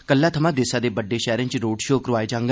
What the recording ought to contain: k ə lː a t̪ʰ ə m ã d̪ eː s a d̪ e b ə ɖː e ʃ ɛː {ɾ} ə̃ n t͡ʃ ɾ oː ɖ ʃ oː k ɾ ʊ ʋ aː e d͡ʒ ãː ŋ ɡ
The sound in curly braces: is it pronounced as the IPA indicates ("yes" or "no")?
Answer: yes